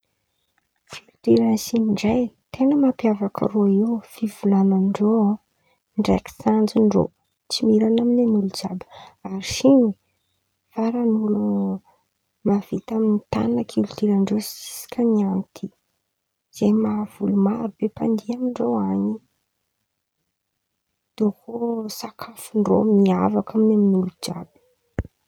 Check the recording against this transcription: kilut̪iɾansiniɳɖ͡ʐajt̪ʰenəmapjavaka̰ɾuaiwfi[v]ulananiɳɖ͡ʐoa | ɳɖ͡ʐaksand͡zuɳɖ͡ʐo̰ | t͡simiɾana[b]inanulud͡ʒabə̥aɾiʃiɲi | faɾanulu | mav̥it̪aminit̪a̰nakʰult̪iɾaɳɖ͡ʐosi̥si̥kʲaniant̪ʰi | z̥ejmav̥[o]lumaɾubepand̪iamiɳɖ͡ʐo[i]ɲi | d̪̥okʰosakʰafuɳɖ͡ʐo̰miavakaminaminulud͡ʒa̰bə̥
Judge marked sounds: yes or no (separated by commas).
yes, no, no, no